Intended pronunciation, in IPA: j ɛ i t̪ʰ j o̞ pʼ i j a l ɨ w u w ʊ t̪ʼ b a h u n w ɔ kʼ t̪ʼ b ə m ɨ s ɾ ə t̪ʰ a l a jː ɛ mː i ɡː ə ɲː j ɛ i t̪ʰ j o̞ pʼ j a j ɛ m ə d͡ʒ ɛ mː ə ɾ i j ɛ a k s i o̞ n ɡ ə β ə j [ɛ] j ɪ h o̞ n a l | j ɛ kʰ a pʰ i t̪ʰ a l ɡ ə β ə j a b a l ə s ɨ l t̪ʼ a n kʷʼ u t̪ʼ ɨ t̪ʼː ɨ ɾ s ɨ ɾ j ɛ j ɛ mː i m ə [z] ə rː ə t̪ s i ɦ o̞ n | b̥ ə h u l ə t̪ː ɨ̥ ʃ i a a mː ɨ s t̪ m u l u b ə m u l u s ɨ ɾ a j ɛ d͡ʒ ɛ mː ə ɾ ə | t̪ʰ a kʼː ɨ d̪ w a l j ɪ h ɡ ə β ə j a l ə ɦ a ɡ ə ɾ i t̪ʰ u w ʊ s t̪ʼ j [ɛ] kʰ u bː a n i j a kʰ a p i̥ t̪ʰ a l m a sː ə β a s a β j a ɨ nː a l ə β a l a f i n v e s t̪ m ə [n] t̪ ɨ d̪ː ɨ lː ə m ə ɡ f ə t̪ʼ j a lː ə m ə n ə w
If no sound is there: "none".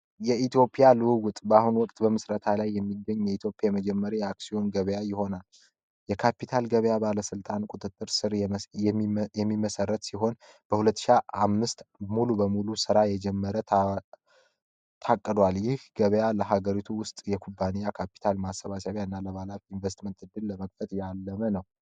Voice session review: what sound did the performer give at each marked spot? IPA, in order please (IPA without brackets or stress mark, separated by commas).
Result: a, s, ɛ, n